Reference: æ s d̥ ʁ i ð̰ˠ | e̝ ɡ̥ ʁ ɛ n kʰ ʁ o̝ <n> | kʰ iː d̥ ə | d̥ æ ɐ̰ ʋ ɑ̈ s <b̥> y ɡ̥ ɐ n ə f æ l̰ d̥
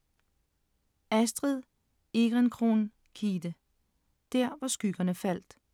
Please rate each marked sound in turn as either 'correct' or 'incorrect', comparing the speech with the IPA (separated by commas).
correct, incorrect